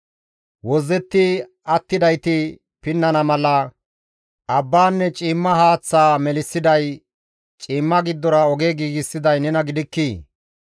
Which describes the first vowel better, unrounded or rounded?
rounded